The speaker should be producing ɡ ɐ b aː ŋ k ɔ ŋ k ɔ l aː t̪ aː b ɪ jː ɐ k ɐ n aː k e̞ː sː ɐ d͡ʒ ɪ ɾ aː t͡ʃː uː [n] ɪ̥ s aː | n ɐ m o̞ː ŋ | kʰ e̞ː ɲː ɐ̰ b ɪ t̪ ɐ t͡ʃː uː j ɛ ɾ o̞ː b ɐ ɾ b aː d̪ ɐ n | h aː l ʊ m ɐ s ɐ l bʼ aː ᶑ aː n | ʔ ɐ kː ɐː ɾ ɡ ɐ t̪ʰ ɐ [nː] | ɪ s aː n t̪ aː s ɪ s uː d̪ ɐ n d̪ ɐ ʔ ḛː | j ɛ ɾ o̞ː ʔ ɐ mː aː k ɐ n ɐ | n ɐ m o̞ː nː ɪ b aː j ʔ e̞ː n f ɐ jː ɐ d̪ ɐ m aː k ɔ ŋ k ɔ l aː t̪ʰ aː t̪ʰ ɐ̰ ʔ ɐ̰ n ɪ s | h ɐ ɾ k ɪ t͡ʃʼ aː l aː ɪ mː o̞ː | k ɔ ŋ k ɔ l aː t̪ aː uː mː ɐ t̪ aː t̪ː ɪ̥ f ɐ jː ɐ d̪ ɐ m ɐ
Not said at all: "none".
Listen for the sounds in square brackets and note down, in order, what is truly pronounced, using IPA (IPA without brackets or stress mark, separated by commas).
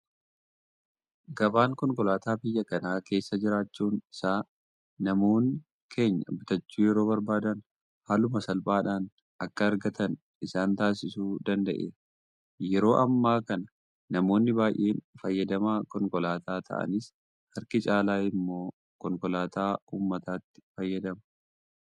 n, n